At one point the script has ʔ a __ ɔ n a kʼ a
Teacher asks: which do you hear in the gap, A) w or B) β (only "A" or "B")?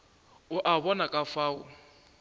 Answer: B